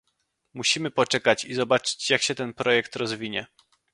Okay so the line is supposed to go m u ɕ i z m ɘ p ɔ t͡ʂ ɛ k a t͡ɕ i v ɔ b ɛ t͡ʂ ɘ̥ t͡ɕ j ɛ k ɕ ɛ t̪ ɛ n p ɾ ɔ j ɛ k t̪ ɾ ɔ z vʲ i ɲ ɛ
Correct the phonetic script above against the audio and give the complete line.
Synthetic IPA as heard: m u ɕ i m ɘ p ɔ t͡ʂ ɛ k a t͡ɕ i z ɔ b a t͡ʂ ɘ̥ t͡ɕ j a k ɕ ɛ t̪ ɛ n p ɾ ɔ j ɛ k t̪ ɾ ɔ z vʲ i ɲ ɛ